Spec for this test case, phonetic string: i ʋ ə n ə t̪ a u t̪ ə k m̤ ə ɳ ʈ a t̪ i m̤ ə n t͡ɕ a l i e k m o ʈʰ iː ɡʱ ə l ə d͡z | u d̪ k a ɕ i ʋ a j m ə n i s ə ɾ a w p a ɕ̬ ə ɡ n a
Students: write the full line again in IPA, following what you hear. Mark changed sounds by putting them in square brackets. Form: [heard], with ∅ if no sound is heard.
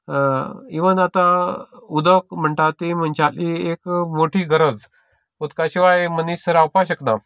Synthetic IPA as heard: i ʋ ə n [a] t̪ a u [d̪] ə k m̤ ə ɳ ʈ a t̪ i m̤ ə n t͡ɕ a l i e k m o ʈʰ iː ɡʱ ə [ɾ] ə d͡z | u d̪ k a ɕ i ʋ a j m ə n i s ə ɾ a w p a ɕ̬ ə [k] n a

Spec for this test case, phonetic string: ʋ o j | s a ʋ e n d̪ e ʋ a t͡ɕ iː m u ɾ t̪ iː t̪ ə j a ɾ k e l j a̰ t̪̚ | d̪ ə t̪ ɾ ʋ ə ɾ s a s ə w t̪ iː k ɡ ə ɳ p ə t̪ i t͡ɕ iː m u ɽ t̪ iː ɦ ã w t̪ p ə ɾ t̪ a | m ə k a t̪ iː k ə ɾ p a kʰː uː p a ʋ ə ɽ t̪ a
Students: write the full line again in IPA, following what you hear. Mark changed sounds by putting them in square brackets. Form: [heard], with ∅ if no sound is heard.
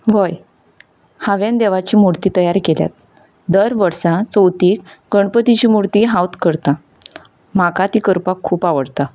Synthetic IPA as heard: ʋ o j | [h] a ʋ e n d̪ e ʋ a t͡ɕ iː m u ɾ t̪ iː t̪ ə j a ɾ k e l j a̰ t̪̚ | d̪ ə [∅] ɾ ʋ ə ɾ s a [t͡s] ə w t̪ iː k ɡ ə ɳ p ə t̪ i t͡ɕ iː m u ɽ t̪ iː ɦ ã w t̪ [k] ə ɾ t̪ a | m [a] k a t̪ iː k ə ɾ p a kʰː uː p a ʋ ə ɽ t̪ a

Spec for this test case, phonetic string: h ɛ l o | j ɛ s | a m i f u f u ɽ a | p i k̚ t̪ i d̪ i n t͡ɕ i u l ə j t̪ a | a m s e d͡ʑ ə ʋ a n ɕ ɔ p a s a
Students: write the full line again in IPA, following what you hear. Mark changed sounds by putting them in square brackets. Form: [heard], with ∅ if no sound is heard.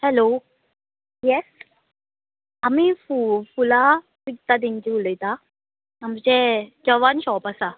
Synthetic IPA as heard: h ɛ l o | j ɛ s | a m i f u f u [l] a | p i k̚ t̪ [a] d̪ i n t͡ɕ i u l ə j t̪ a | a m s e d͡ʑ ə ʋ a n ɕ ɔ p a s a

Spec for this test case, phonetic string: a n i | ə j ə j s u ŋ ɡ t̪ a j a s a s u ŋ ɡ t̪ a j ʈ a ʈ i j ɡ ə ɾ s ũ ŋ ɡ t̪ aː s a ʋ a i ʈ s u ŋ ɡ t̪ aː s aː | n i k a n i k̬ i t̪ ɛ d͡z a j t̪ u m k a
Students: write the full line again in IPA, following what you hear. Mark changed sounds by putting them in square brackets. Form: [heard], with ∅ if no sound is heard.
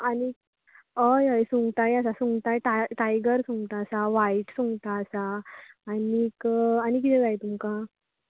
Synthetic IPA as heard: a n i | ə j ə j s u ŋ ɡ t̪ a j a s a s u ŋ ɡ t̪ a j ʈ a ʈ [a] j ɡ ə ɾ s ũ ŋ ɡ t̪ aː s a ʋ a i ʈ s u ŋ ɡ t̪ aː s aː | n i k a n i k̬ i t̪ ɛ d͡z a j t̪ u m k a

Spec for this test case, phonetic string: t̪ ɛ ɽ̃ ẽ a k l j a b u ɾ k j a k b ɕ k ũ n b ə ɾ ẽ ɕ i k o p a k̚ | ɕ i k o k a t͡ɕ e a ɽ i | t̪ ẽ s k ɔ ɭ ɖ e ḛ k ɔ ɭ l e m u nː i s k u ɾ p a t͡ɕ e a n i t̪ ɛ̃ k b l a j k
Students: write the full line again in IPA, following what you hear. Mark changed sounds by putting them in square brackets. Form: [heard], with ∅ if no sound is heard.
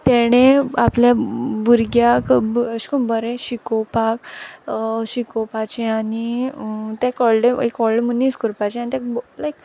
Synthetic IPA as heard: t̪ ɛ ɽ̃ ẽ a [p] l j a b u ɾ [ɡ] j a k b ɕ k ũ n b ə ɾ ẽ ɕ i k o p a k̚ | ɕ i k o [p] a t͡ɕ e a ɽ i | t̪ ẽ [∅] k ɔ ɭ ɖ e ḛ k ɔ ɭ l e m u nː i s k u ɾ p a t͡ɕ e a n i t̪ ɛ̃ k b l a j k

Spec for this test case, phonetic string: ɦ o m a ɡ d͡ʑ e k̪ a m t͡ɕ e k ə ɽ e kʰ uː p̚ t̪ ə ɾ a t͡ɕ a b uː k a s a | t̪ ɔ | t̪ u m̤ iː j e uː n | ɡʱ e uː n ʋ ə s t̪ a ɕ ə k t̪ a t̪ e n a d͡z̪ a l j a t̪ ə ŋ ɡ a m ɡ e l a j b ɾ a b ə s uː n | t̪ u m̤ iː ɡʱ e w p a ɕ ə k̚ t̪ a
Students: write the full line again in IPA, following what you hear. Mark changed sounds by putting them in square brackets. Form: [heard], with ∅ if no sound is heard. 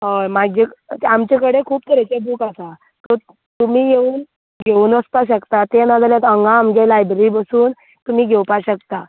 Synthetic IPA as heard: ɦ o m a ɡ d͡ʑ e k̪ a m t͡ɕ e k ə ɽ e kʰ uː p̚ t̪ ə ɾ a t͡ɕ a b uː k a s a | t̪ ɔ | t̪ u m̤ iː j e uː n | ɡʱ e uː n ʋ ə s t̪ a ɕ ə k t̪ a t̪ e n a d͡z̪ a l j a t̪ ə ŋ ɡ a m ɡ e l a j b ɾ [i] b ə s uː n | t̪ u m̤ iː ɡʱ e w p a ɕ ə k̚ t̪ a

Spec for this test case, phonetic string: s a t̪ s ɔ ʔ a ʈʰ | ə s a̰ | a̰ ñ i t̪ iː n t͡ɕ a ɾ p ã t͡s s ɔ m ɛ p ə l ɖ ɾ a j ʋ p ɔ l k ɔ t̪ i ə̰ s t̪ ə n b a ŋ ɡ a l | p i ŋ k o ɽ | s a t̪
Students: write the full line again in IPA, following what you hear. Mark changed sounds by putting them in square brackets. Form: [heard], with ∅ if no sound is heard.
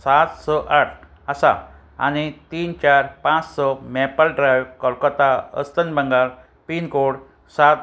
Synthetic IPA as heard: s a t̪ s ɔ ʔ a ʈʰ | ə s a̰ | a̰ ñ i t̪ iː n t͡ɕ a ɾ p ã t͡s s ɔ m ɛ p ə l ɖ ɾ a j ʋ [k] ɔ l k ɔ t̪ [a] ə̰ s t̪ ə n b [ə] ŋ ɡ a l | p i [n] k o ɽ | s a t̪

